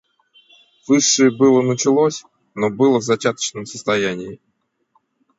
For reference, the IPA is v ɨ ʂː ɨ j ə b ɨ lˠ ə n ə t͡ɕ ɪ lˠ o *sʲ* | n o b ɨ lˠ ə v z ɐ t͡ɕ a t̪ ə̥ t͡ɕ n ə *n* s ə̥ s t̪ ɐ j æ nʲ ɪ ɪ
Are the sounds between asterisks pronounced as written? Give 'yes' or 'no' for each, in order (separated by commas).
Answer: yes, no